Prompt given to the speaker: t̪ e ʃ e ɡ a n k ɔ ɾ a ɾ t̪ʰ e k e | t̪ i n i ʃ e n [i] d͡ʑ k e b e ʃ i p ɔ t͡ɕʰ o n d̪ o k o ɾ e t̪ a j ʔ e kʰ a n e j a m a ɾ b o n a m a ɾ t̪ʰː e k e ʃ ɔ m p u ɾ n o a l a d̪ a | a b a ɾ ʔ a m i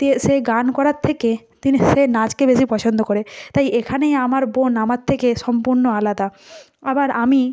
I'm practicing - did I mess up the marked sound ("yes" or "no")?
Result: yes